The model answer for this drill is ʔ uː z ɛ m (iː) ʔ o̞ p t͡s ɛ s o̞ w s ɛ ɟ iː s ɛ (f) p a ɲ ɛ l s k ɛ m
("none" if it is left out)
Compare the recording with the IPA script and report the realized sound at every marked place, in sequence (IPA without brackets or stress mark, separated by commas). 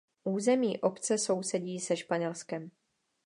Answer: iː, ʃ